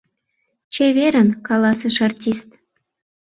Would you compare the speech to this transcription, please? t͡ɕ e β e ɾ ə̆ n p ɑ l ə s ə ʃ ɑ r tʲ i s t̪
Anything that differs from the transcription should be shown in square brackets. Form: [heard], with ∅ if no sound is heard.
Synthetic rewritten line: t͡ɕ e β e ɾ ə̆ n [k] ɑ l [ɑ] s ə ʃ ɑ r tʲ i s t̪